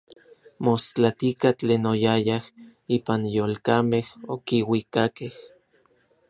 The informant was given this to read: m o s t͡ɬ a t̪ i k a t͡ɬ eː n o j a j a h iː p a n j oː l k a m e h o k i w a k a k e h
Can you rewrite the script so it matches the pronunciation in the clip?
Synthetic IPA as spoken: m o s t͡ɬ a t̪ i k a t͡ɬ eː n o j a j a h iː p a n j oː l k a m e h o k i w i k a k e h